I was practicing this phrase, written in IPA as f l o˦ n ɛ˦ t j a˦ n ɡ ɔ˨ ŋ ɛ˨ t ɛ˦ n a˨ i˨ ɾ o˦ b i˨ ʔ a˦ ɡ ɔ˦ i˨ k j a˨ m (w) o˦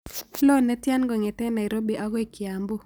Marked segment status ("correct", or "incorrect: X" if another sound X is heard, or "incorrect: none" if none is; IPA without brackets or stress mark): incorrect: b